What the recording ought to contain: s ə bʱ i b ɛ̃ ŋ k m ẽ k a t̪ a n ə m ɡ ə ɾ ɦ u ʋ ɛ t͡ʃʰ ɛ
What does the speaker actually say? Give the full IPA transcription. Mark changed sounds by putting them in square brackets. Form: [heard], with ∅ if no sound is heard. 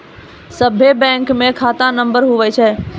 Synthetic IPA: s ə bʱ [e] b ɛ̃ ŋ k m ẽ [kʰ] a t̪ a n ə m [b] ə ɾ ɦ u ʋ ɛ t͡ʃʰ ɛ